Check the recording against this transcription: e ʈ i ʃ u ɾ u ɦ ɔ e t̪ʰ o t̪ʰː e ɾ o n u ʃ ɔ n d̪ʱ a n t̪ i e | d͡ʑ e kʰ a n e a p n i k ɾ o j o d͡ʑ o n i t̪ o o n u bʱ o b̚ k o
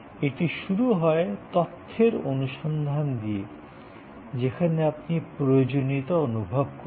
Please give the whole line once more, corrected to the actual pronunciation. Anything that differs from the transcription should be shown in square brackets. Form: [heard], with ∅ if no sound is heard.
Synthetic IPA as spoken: e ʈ i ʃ u ɾ u ɦ ɔ e [t̪] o t̪ʰː e ɾ o n u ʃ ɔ n d̪ʱ a n [d̪] i e | d͡ʑ e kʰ a n e a p n i [p] ɾ o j o d͡ʑ o n i t̪ o o n u bʱ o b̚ k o

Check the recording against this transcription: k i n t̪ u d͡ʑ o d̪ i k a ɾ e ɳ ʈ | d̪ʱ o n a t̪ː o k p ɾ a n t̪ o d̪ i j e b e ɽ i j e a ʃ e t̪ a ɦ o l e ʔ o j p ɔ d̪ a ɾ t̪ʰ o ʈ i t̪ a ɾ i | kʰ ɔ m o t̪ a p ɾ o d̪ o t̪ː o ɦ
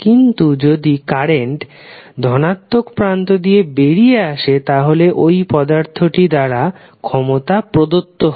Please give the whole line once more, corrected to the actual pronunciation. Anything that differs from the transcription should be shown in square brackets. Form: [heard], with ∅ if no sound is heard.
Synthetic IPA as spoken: k i n t̪ u d͡ʑ o d̪ i k a ɾ e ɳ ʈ | d̪ʱ [ɔ] n a t̪ː o k p ɾ a n t̪ o d̪ i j e b e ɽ i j e a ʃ e t̪ a ɦ o l e ʔ o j p ɔ d̪ a ɾ t̪ʰ o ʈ i [d̪] a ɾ [a] | kʰ ɔ m o t̪ a p ɾ o d̪ o t̪ː o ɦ

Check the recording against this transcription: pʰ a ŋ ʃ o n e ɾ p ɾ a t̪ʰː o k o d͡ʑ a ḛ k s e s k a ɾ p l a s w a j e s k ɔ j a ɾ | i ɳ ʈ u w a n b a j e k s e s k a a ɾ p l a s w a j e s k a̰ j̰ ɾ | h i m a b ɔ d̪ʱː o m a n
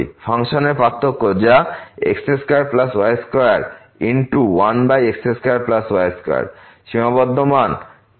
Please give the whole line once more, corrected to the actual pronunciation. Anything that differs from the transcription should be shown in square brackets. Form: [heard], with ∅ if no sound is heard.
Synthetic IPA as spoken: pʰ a ŋ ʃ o n e ɾ p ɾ a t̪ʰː o k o d͡ʑ a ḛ k s e s k a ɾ p l a s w a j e s k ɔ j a ɾ | i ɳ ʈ u w a n b a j e k s e s k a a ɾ p l a s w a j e s k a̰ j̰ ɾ | [ʃ] i m a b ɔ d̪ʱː o m a n

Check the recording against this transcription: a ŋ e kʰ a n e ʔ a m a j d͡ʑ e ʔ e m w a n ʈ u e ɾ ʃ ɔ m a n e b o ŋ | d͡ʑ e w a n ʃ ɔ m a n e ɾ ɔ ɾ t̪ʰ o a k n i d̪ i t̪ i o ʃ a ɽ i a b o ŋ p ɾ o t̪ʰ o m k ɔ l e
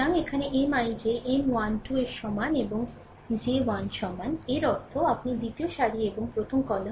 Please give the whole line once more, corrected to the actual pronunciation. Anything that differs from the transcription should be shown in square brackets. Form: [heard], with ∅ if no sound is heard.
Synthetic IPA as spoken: a ŋ e kʰ a n e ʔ [e] m a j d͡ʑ e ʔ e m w a n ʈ u e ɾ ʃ ɔ m a n e b o ŋ | d͡ʑ e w a n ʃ ɔ m a n e ɾ ɔ ɾ t̪ʰ o a [p] n i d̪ i t̪ i o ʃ a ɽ i [e] b o ŋ p ɾ o t̪ʰ o m k ɔ l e

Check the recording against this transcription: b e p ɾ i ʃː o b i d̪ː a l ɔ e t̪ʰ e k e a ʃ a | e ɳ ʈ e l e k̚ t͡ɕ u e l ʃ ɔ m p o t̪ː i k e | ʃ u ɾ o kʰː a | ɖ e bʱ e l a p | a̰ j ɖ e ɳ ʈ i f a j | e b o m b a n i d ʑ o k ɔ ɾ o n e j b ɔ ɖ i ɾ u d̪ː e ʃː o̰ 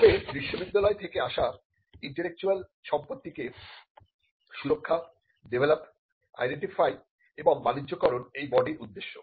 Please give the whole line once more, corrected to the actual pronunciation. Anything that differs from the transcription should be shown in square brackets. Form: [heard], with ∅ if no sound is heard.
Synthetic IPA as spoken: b e [b] ɾ i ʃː o b i d̪ː a l ɔ e t̪ʰ e k e a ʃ a | [i] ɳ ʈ e l e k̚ t͡ɕ u [a] l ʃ ɔ m p o t̪ː i k e | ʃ u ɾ o kʰː a | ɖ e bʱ e l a p | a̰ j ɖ e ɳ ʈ i f a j | e b o [ŋ] b a n i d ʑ o k ɔ ɾ o n e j b ɔ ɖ i ɾ u d̪ː e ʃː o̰

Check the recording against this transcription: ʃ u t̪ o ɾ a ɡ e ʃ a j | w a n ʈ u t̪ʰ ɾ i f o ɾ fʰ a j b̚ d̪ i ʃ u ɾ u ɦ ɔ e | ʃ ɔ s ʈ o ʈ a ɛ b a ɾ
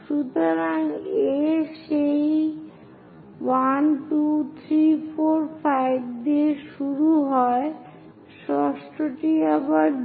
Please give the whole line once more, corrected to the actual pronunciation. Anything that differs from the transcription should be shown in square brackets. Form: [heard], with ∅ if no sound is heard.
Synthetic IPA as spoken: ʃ u t̪ o ɾ a [ŋ] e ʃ [e] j | w a n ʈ u t̪ʰ ɾ i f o ɾ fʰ a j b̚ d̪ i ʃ u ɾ u ɦ ɔ e | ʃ ɔ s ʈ o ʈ [i] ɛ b a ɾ

